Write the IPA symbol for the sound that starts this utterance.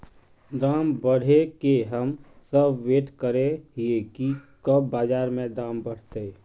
d̪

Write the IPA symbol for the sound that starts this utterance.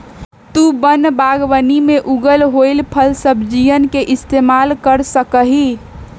t̪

